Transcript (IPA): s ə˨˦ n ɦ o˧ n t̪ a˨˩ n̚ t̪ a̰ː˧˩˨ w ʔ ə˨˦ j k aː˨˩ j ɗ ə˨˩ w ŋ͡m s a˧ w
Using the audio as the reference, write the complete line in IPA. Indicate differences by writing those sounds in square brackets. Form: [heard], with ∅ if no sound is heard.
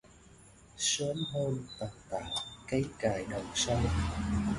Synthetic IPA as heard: s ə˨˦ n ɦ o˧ n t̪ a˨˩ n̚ t̪ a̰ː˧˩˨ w [k] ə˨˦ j k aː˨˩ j ɗ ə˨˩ w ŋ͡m s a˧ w